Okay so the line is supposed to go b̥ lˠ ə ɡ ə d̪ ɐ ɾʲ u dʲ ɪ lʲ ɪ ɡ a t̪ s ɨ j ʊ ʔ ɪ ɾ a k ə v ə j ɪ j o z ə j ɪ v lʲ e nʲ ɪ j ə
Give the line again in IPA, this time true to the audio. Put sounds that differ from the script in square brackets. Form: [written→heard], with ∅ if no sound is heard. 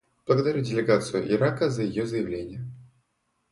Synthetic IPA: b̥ lˠ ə ɡ ə d̪ ɐ ɾʲ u dʲ ɪ lʲ ɪ ɡ a t̪ s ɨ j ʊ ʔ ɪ ɾ a k ə [v→z] ə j ɪ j o z ə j ɪ v lʲ e nʲ ɪ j ə